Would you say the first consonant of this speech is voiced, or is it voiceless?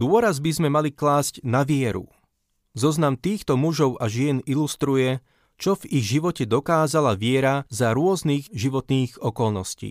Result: voiced